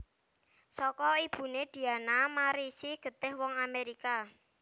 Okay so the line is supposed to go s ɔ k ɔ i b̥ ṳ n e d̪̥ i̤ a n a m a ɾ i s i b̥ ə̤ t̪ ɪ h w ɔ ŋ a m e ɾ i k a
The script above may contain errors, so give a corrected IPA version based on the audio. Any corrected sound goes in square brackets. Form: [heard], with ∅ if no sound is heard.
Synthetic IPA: s ɔ k ɔ i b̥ ṳ n e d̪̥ i̤ a n a m a ɾ i s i [ɡ̥] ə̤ t̪ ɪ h w ɔ ŋ a m e ɾ i k a